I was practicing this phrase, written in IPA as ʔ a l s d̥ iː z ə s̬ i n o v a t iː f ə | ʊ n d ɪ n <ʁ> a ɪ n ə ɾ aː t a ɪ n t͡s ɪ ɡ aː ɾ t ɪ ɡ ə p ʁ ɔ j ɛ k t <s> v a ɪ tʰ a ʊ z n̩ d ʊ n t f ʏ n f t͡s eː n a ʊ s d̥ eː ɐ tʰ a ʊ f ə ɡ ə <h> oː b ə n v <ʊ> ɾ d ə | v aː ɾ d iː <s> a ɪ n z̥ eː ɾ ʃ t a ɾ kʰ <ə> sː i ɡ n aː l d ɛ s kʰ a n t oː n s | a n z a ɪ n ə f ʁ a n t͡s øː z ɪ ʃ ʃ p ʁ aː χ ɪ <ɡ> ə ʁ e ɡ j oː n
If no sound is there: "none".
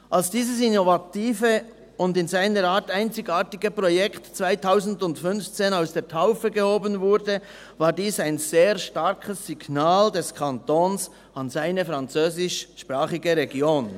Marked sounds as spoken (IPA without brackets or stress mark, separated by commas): z, t͡s, h, ʊ, s, ə, ɡ